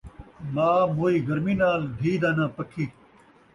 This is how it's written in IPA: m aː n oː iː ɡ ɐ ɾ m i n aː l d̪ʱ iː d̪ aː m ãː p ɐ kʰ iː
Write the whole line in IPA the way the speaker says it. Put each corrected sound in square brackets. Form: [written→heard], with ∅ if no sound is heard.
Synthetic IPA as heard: m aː [n→m] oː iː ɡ ɐ ɾ m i n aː l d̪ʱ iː d̪ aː [m→n] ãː p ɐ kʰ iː